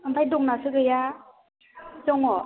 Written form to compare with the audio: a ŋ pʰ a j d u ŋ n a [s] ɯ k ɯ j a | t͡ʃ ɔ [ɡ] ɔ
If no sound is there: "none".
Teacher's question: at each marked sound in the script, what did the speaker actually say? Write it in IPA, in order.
s, ŋ

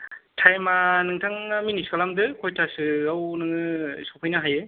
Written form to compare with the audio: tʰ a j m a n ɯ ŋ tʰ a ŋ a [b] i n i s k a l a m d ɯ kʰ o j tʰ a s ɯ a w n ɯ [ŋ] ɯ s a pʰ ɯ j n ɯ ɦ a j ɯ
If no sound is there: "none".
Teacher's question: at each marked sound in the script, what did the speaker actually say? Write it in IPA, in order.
m, ŋ

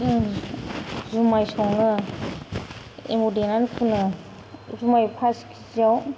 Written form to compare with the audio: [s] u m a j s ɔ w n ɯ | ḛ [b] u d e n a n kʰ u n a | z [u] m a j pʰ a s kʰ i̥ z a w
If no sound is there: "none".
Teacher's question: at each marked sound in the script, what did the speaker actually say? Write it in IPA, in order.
z, m, u

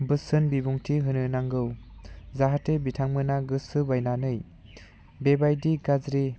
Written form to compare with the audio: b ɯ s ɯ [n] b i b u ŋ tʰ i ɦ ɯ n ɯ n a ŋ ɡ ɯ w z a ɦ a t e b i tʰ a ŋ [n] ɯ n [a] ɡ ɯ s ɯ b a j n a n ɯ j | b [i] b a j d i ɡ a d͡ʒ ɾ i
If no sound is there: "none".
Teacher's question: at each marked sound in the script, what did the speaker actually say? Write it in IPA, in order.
n, m, a, e

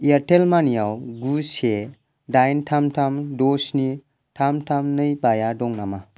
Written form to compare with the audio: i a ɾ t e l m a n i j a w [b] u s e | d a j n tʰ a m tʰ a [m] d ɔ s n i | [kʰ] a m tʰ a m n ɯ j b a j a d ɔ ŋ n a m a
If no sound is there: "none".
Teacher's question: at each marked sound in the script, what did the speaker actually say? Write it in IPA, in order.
ɡ, m, tʰ

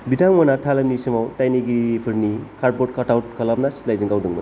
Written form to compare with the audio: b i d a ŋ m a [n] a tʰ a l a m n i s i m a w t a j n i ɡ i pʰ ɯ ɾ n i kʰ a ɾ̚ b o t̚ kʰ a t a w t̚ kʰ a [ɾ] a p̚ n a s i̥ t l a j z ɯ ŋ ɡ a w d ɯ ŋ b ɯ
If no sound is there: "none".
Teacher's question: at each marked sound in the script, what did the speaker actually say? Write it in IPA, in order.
n, l

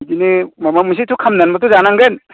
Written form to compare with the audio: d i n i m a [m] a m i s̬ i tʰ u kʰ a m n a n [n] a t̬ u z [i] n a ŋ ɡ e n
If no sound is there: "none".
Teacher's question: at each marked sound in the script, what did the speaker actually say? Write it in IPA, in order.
m, m, a

